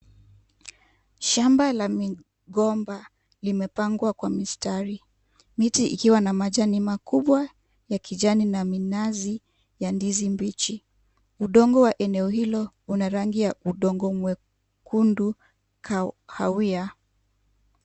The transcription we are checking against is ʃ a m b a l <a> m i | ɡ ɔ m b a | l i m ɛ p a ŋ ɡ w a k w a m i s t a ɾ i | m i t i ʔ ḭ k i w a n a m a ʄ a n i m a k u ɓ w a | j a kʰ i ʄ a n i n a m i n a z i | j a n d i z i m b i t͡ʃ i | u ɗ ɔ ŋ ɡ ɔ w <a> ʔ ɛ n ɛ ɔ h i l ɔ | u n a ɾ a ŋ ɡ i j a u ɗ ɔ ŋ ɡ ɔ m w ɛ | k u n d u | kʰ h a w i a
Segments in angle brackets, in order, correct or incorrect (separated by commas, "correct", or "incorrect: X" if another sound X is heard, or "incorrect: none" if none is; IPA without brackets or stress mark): correct, correct